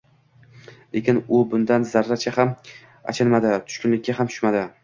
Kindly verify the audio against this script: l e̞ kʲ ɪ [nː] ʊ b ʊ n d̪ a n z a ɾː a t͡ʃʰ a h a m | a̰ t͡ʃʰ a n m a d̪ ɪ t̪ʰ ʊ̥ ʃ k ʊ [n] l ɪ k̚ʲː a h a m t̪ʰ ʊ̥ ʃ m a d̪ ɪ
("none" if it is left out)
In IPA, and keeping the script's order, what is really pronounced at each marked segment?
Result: n, n

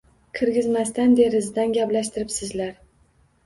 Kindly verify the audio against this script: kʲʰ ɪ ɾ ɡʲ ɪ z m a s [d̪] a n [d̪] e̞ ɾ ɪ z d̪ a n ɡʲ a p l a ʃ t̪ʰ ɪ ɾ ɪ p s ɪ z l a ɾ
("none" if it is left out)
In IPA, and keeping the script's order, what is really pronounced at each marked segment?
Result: t̪, d̪

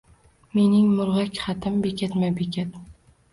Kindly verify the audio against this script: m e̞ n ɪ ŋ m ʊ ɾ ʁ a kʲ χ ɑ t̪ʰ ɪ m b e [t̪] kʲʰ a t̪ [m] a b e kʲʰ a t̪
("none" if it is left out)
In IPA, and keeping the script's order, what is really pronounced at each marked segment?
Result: none, m

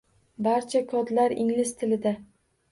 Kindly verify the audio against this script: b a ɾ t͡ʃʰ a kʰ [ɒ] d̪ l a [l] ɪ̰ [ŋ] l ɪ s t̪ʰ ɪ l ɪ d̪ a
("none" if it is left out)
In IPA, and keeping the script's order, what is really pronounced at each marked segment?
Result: ɒ, ɾ, ŋ

